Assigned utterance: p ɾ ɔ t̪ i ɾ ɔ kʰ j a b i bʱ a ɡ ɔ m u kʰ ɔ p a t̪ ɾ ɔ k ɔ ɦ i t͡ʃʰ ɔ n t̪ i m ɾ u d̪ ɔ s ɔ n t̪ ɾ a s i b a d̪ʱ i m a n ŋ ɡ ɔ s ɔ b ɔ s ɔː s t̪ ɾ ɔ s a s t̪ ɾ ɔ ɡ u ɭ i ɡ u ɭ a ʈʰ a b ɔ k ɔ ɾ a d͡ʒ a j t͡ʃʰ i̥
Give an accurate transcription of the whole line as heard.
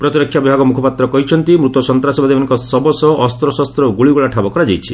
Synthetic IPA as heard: p ɾ ɔ t̪ i ɾ ɔ kʰ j a b i bʱ a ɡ ɔ m u kʰ ɔ p a t̪ ɾ ɔ k ɔ ɦ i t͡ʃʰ ɔ n t̪ i m ɾ u t̪ ɔ s ɔ n t̪ ɾ a s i b a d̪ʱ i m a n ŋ k ɔ s ɔ b ɔ s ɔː s t̪ ɾ ɔ s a s t̪ ɾ ɔ ɡ u ɭ i ɡ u ɭ a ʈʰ a b ɔ k ɔ ɾ a d͡ʒ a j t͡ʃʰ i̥

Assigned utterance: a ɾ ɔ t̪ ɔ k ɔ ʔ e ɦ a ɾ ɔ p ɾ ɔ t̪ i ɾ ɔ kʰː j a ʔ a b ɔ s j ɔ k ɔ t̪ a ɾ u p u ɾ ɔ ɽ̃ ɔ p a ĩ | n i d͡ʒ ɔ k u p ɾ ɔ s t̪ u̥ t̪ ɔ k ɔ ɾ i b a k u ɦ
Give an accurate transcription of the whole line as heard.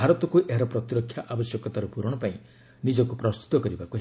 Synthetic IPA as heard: a ɾ ɔ t̪ ɔ k u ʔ e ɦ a ɾ ɔ p ɾ ɔ t̪ i ɾ ɔ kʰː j a ʔ a b ɔ s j ɔ k ɔ t̪ a ɾ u p u ɾ ɔ ɽ̃ ɔ p a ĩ | n i d͡ʒ ɔ k u p ɾ ɔ s t̪ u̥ t̪ ɔ k ɔ ɾ i b a k u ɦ

